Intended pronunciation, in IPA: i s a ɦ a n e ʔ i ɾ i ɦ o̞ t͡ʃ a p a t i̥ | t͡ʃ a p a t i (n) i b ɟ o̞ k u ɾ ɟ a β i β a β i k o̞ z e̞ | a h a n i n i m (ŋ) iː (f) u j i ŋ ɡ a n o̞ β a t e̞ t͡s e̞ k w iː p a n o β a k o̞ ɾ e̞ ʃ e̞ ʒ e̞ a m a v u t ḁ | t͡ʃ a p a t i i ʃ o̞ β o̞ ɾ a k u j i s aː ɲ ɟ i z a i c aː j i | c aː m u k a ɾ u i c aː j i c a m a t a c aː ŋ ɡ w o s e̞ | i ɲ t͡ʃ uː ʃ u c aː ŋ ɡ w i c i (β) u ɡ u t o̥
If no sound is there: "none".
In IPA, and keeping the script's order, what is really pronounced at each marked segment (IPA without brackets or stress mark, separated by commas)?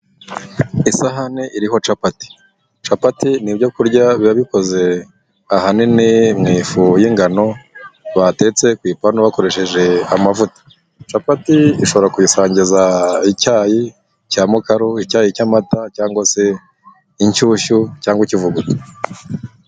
n, ŋ, f, v